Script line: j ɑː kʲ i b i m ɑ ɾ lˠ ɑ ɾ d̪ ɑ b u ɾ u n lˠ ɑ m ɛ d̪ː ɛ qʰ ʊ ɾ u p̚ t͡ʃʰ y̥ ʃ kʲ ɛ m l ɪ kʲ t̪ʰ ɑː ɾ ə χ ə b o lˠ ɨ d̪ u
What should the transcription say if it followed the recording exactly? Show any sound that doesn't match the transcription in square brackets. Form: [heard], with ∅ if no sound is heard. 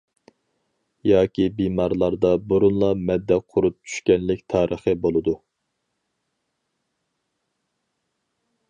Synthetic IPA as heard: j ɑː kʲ i b i m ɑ ɾ lˠ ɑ ɾ d̪ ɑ b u ɾ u n lˠ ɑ m ɛ d̪ː ɛ qʰ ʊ ɾ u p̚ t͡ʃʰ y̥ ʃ kʲ ɛ [n] l ɪ kʲ t̪ʰ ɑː ɾ ə χ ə b o lˠ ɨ d̪ u